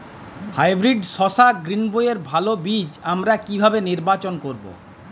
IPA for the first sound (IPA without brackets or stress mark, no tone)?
h